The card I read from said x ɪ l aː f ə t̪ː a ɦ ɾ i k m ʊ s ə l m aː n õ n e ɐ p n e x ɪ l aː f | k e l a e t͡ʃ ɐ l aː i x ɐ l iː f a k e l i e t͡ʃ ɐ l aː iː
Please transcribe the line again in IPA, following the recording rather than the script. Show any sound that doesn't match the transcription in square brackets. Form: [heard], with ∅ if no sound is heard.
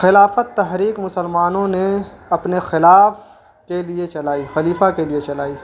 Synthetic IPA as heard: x ɪ l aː f ə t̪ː [ɐ] ɦ ɾ [iː] k m ʊ s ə l m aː n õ n e ɐ p n e x ɪ l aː f | k e l [i] e t͡ʃ ɐ l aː i x ɐ l iː f a k e l i e t͡ʃ ɐ l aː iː